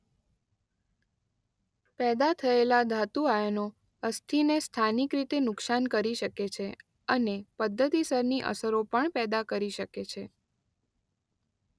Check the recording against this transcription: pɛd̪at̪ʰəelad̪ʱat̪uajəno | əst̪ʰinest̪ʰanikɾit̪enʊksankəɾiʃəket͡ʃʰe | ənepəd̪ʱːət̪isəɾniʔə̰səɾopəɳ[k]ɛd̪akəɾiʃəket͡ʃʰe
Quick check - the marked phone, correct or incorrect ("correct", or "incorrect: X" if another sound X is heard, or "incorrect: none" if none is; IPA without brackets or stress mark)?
incorrect: p